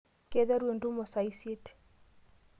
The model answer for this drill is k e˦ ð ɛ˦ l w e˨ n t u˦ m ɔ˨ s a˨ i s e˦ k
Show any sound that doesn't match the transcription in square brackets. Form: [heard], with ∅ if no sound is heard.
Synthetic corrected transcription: k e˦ ð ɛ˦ [ɾ] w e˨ n [d] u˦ m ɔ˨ s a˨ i s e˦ [t]